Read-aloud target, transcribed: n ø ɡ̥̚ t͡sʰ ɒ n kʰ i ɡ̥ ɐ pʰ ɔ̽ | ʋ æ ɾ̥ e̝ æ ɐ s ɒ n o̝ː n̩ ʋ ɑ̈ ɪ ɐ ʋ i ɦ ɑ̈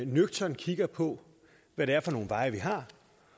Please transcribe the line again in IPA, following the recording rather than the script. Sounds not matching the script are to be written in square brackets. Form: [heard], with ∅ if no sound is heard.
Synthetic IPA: n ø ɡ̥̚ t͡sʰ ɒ n kʰ i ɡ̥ ɐ pʰ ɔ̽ | ʋ æ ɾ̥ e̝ æ ɐ [f] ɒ n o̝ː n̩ ʋ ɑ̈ ɪ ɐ ʋ i ɦ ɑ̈